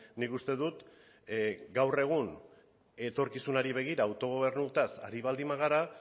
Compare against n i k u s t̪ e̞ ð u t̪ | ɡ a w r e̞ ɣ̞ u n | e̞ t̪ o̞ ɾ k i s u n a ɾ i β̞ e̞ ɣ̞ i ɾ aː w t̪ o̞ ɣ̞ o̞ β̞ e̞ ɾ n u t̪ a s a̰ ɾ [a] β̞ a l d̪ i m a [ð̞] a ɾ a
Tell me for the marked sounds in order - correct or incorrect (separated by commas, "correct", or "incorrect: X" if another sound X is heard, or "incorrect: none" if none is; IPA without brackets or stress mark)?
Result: incorrect: i, incorrect: ɣ̞